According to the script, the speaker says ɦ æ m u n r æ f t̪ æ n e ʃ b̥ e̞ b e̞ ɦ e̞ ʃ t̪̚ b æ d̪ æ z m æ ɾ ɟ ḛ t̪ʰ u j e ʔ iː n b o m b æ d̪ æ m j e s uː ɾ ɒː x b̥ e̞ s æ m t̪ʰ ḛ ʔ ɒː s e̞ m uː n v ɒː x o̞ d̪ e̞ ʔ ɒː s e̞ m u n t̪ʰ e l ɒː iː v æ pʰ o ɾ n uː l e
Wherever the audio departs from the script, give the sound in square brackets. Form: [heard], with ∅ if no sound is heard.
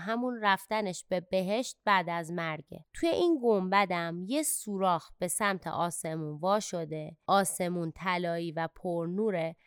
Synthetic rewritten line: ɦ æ m u n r æ f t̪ æ n e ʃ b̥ e̞ b e̞ ɦ e̞ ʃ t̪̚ b æ d̪ æ z m æ ɾ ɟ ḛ t̪ʰ u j e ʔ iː n [ɡ] o m b æ d̪ æ m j e s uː ɾ ɒː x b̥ e̞ s æ m t̪ʰ ḛ ʔ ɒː s e̞ m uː n v ɒː [ʃ] o̞ d̪ e̞ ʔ ɒː s e̞ m u n t̪ʰ [æ] l ɒː iː v æ pʰ o ɾ n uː [ɾ] e